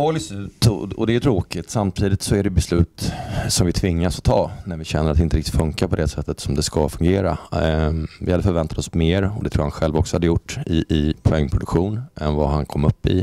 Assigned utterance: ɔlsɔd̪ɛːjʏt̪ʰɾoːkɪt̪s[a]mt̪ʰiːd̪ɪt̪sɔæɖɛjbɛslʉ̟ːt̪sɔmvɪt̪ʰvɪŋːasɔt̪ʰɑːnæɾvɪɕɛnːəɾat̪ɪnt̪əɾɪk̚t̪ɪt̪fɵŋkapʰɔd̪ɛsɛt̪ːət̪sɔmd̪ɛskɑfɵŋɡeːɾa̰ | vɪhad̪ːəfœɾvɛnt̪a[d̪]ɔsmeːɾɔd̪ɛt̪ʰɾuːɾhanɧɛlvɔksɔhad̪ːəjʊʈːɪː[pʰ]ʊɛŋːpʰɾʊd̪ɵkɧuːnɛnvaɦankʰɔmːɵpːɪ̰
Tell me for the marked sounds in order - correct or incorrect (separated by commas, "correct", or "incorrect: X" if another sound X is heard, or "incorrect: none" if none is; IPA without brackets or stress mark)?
correct, incorrect: t̪, correct